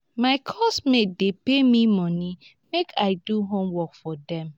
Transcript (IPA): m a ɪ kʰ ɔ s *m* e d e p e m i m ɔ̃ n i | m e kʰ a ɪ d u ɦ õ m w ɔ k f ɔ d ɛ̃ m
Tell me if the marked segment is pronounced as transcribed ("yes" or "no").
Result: yes